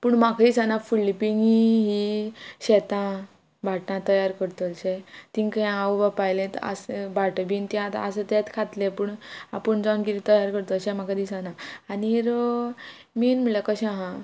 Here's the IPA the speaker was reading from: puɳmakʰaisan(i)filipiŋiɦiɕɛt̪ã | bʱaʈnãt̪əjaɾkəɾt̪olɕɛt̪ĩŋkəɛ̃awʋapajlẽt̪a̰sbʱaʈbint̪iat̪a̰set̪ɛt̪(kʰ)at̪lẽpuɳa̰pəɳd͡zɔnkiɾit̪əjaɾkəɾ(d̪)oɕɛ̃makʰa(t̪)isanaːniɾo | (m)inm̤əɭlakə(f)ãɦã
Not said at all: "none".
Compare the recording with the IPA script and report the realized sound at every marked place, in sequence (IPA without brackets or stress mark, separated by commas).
a, kʰ, t̪, d̪, m, ɕ